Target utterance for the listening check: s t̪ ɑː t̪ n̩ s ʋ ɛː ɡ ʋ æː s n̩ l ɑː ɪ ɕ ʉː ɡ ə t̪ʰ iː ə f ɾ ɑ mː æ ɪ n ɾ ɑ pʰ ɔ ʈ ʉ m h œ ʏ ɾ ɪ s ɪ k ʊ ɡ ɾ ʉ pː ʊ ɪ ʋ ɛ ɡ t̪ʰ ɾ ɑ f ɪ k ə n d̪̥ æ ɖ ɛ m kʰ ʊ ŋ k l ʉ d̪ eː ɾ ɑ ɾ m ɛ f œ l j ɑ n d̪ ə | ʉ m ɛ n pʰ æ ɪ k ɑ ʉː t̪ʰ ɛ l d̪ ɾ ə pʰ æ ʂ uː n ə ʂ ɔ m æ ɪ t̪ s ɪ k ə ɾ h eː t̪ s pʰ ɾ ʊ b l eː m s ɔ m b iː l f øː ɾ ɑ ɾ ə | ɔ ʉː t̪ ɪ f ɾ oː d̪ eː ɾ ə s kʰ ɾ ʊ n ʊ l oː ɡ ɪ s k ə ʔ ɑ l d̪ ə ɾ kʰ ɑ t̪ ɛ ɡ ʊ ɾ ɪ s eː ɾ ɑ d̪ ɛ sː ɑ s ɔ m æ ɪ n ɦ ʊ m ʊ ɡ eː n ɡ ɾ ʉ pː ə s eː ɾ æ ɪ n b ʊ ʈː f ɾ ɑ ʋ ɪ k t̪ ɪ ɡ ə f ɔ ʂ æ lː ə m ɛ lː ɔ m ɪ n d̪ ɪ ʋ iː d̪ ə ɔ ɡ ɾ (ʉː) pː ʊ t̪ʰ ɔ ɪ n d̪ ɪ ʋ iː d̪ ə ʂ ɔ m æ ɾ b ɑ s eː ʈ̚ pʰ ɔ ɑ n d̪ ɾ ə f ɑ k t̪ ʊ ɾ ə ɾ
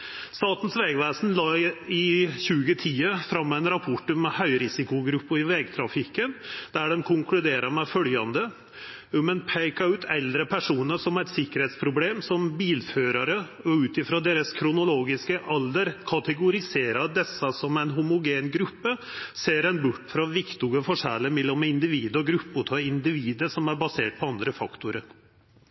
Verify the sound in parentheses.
incorrect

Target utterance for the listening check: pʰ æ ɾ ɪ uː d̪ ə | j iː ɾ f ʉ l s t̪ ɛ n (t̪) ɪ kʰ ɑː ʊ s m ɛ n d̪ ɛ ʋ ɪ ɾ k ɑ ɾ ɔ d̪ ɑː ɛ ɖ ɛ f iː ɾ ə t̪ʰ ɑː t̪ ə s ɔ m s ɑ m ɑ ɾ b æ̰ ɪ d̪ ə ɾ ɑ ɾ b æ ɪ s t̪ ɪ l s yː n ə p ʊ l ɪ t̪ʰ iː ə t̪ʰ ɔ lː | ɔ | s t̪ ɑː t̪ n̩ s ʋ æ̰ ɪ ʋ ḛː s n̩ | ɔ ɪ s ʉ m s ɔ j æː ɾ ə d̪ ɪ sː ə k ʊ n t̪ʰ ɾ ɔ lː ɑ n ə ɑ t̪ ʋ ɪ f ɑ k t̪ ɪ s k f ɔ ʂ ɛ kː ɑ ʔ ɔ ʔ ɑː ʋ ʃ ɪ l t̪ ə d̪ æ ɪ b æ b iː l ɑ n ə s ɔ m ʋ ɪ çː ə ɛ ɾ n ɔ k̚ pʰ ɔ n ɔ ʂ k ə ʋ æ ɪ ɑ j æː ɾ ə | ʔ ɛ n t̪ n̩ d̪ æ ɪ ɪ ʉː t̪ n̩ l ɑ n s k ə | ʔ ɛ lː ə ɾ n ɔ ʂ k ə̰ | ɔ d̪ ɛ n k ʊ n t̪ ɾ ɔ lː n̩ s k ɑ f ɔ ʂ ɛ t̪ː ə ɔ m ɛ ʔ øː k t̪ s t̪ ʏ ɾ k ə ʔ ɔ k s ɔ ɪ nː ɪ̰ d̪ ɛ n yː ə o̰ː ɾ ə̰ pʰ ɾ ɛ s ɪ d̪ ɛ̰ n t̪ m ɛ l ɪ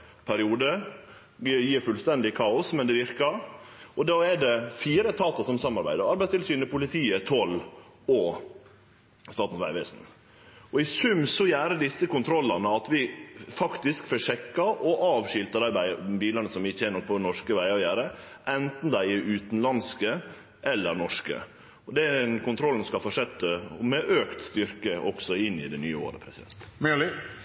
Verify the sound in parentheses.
incorrect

